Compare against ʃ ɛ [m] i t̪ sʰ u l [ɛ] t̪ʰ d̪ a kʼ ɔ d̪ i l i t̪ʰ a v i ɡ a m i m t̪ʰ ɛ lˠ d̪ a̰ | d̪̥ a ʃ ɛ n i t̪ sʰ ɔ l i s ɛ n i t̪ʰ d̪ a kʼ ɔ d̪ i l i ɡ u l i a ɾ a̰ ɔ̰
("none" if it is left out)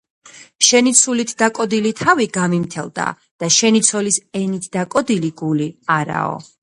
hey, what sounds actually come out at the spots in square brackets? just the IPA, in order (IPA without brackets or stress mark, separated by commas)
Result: n, i